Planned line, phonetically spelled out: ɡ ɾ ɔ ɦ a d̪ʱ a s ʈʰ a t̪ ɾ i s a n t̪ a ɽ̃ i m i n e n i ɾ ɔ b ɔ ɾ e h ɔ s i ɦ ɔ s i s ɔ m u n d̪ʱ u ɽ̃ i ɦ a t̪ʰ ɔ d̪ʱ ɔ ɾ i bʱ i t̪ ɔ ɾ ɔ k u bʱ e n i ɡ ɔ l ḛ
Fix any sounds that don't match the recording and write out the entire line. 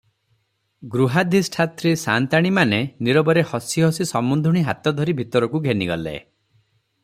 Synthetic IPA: ɡ ɾ u ɦ a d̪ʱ i s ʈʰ a t̪ ɾ i s a n t̪ a ɽ̃ i m a n e n i ɾ ɔ b ɔ ɾ e h ɔ s i ɦ ɔ s i s ɔ m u n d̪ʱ u ɽ̃ i ɦ a t̪ ɔ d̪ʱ ɔ ɾ i bʱ i t̪ ɔ ɾ ɔ k u ɡʱ e n i ɡ ɔ l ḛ